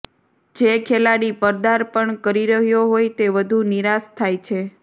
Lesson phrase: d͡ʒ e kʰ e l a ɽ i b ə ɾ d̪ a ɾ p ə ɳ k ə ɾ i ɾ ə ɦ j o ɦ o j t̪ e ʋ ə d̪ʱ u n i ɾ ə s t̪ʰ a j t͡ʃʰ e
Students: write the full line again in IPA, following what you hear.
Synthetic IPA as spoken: d͡ʒ e kʰ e l a ɽ i p ə ɾ d̪ a ɾ p ə ɳ k ə ɾ i ɾ ə ɦ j o ɦ o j t̪ e ʋ ə d̪ʱ u n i ɾ a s t̪ʰ a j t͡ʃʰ e